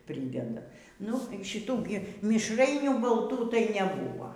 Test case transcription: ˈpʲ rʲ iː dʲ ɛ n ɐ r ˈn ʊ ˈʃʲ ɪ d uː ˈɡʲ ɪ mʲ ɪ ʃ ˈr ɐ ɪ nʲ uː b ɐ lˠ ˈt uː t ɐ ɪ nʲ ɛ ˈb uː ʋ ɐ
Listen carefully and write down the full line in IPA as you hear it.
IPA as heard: ˈpʲ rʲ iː dʲ ɛ d ɐ ˈn ʊ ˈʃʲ ɪ t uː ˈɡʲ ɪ mʲ ɪ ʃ ˈr ɐ ɪ nʲ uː b ɐ lˠ ˈt uː t ɐ ɪ nʲ ɛ ˈb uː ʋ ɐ